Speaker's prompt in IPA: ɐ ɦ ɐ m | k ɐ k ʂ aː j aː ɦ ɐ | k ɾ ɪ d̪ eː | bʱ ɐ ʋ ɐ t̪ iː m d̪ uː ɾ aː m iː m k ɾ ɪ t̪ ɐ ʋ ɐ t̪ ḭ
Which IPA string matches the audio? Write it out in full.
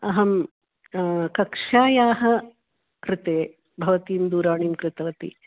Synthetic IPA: ɐ ɦ ɐ m | k ɐ k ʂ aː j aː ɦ ɐ | k ɾ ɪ t̪ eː | bʱ ɐ ʋ ɐ t̪ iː m d̪ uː ɾ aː ɳ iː m k ɾ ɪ t̪ ɐ ʋ ɐ t̪ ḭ